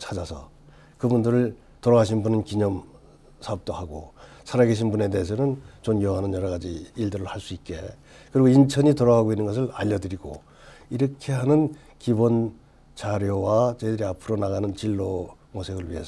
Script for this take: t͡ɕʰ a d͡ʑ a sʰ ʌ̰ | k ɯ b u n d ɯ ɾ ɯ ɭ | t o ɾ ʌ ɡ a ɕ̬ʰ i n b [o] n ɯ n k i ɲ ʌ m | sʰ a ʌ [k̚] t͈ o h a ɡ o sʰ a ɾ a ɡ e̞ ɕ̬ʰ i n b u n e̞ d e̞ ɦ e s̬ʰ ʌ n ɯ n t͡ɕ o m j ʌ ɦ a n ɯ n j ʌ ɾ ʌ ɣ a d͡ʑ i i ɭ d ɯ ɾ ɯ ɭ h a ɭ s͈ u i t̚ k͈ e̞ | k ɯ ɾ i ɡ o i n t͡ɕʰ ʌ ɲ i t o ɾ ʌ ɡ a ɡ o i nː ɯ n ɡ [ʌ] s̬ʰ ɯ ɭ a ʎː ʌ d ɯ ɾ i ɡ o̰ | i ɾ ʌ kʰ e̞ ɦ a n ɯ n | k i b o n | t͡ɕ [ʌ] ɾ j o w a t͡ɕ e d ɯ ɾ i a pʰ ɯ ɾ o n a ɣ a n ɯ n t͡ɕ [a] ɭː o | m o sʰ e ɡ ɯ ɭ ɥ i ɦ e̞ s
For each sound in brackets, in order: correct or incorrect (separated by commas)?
incorrect, incorrect, correct, incorrect, incorrect